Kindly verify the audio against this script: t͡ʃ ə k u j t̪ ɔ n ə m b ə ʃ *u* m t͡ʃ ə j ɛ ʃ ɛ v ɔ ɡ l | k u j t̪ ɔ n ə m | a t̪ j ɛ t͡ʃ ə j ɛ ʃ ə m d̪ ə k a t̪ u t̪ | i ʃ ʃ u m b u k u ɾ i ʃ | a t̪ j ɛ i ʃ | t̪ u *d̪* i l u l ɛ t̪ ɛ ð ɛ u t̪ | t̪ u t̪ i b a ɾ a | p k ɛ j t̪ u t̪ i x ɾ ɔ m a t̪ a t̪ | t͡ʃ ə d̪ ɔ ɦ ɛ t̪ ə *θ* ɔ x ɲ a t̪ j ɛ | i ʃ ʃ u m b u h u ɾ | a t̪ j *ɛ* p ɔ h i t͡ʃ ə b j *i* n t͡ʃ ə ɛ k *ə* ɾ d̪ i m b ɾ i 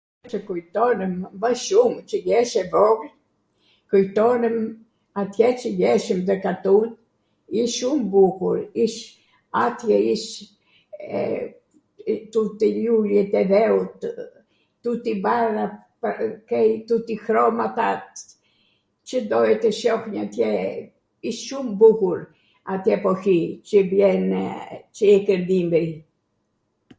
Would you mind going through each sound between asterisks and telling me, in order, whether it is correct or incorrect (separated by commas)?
correct, incorrect, incorrect, correct, incorrect, correct